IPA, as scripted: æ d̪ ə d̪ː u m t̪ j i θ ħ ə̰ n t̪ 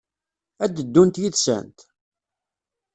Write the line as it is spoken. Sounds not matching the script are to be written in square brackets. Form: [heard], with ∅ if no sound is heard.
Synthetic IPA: æ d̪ ə d̪ː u [n] t̪ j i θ [s] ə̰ n t̪